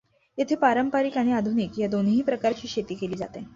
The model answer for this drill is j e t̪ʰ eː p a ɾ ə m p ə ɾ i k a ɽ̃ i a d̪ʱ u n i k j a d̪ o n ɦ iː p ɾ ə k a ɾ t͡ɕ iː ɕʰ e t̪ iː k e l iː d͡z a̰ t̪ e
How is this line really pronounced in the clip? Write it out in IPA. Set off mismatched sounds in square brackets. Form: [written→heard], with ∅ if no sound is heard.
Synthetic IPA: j e t̪ʰ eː p a ɾ ə m p [ə→a] ɾ i k a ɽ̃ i a d̪ʱ u n i k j a d̪ o n ɦ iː p ɾ ə k a ɾ t͡ɕ iː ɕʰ e t̪ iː k e l iː d͡z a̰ t̪ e